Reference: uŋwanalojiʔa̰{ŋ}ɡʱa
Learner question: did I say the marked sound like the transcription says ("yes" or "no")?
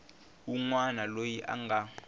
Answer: yes